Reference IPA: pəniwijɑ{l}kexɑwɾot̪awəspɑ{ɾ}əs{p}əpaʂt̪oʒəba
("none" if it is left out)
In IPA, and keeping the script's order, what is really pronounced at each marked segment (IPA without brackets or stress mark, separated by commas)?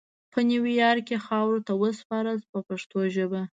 ɾ, ɾ, p